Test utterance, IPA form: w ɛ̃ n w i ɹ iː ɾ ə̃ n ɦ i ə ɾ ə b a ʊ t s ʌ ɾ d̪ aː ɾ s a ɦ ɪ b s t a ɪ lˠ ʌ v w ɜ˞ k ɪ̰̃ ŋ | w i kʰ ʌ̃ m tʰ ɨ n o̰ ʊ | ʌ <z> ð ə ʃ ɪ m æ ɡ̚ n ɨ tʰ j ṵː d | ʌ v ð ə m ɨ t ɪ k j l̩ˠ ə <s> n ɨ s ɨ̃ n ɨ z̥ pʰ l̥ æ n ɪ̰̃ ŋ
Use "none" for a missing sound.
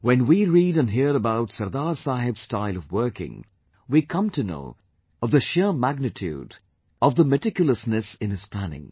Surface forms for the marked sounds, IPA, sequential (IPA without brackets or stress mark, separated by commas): v, s